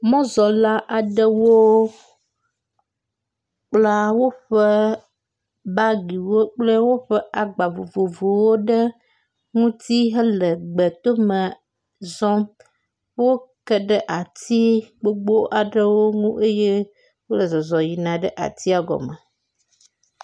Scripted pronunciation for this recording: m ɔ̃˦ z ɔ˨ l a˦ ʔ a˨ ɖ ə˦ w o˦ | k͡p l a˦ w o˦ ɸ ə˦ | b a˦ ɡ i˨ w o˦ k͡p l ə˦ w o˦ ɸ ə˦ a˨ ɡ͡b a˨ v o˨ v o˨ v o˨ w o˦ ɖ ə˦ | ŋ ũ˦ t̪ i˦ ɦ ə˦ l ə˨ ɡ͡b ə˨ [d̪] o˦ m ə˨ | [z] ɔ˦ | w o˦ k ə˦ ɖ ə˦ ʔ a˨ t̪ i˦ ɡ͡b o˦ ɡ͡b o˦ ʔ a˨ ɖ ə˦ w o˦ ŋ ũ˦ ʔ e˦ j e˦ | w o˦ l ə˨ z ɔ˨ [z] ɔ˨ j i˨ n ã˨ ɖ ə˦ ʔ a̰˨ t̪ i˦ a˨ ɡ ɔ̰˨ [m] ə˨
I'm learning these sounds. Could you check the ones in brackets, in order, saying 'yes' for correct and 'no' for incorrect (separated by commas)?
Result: no, yes, yes, yes